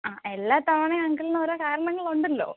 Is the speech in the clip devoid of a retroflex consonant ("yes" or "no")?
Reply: no